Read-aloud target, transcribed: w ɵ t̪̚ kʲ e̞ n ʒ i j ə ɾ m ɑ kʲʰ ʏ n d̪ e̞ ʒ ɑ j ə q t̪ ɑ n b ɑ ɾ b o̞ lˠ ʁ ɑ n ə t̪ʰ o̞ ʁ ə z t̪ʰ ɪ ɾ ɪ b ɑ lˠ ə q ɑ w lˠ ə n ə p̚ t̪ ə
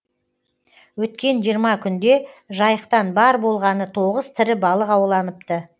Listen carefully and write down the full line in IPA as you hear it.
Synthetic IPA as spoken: w ɵ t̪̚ kʲ e̞ n ʒ i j ə ɾ m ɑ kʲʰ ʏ n d̪ e̞ ʒ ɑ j ə q t̪ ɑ n b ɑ ɾ b o̞ lˠ ʁ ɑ n ə t̪ʰ o̞ ʁ ə z t̪ʰ ɪ ɾ ɪ b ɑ lˠ ə q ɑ w lˠ ɑ n ə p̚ t̪ ə